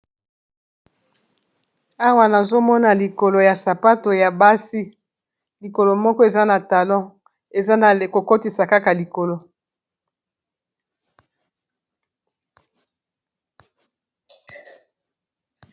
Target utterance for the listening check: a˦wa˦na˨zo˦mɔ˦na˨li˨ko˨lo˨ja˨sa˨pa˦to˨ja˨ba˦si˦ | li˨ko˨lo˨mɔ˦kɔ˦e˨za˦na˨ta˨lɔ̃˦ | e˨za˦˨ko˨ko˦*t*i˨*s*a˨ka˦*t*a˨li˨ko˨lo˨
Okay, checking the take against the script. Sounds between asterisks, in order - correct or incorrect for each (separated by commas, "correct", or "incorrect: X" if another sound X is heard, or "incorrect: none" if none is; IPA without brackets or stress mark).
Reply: correct, correct, incorrect: k